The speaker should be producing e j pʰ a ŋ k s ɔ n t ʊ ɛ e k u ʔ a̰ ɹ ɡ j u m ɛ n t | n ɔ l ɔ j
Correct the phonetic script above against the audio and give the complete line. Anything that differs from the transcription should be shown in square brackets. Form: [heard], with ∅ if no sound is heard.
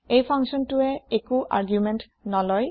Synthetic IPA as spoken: e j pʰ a ŋ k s ɔ n t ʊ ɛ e k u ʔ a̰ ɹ ɡ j u m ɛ n t | n ɔ l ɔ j